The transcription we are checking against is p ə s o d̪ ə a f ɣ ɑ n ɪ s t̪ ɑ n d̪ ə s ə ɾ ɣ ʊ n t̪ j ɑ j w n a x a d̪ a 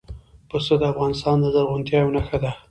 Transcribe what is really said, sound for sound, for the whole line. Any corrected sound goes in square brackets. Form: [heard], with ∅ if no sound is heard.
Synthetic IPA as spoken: p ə s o d̪ ə a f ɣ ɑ n ɪ s t̪ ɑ n d̪ ə [z] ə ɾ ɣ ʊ n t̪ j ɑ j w n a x a d̪ a